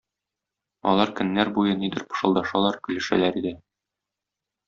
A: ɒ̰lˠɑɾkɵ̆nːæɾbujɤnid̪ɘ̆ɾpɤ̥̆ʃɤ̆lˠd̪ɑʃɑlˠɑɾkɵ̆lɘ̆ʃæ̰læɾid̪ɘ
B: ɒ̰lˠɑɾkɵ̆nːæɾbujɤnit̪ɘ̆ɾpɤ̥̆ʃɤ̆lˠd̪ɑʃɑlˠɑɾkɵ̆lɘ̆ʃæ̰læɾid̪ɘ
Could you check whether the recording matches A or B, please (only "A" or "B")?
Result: A